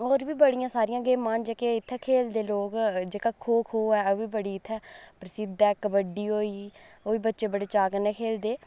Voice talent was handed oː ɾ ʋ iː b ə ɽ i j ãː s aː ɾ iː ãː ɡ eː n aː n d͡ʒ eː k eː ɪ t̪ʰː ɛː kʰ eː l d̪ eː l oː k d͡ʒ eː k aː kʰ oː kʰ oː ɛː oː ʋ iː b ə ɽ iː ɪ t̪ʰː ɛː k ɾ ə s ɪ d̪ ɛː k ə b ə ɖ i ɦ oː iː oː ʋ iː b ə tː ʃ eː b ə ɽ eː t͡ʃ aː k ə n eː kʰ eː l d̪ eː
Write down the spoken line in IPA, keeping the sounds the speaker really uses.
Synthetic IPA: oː ɾ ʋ iː b ə ɽ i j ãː s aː ɾ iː ãː ɡ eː m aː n d͡ʒ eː k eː ɪ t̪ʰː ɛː kʰ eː l d̪ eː l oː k d͡ʒ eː k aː kʰ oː kʰ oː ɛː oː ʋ iː b ə ɽ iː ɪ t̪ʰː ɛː p ɾ ə s ɪ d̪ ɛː k ə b ə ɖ iː ɦ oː iː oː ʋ iː b ə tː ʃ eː b ə ɽ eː t͡ʃ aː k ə n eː kʰ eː l d̪ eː